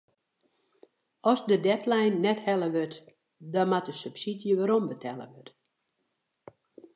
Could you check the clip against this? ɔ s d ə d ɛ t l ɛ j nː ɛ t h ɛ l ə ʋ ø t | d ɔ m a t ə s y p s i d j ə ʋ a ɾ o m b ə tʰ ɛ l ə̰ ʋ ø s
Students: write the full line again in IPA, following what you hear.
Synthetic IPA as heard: ɔ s d ə d ɛ t l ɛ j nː ɛ t h ɛ l ə ʋ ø t | d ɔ m a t ə s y p s i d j ə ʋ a ɾ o m b ə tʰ ɛ l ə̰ ʋ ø t